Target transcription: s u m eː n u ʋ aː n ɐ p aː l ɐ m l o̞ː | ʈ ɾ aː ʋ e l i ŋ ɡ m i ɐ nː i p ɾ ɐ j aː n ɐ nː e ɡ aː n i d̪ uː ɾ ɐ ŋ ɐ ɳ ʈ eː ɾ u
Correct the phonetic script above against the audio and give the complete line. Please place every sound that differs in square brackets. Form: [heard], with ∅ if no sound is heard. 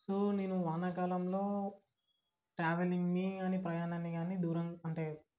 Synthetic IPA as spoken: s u [n] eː n u ʋ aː n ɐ [k] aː l ɐ m l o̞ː | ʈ ɾ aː ʋ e l i ŋ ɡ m i ɐ [n] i p ɾ ɐ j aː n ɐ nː [i] ɡ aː n i d̪ uː ɾ ɐ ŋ ɐ ɳ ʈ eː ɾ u